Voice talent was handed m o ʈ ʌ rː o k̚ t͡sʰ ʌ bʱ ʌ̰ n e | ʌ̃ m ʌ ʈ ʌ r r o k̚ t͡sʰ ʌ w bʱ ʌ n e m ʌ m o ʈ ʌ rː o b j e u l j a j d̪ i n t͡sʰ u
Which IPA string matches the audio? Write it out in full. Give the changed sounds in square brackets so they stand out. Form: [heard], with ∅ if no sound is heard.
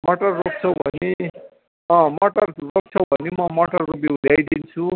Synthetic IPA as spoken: m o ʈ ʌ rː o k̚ t͡sʰ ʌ bʱ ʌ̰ n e | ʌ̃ m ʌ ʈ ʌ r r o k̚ t͡sʰ ʌ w bʱ ʌ n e m ʌ m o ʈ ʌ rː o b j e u l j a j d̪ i n t͡sʰ u